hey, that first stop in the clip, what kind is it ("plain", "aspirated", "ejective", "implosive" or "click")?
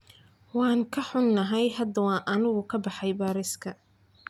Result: aspirated